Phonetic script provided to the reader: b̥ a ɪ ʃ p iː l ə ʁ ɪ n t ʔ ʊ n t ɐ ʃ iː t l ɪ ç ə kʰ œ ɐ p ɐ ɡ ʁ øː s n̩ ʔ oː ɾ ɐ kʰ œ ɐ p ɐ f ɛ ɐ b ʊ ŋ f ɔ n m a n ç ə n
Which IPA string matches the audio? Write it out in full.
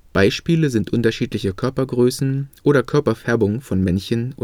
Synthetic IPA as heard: b̥ a ɪ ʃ p iː l ə z ɪ n t ʔ ʊ n t ɐ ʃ iː t l ɪ ç ə kʰ œ ɐ p ɐ ɡ ʁ øː s n̩ ʔ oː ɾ ɐ kʰ œ ɐ p ɐ f ɛ ɐ b ʊ ŋ f ɔ n m ɛ n ç ə n